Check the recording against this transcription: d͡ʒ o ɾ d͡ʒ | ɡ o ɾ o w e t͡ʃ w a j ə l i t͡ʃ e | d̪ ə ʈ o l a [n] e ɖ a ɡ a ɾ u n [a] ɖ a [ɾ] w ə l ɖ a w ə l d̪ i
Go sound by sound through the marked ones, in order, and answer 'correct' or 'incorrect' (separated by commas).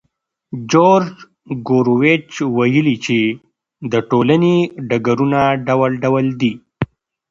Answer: correct, correct, incorrect